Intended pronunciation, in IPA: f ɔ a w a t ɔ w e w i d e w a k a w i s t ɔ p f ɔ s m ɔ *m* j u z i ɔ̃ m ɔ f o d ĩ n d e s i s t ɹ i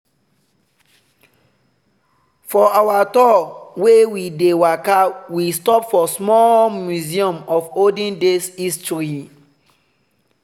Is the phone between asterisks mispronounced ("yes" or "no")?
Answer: no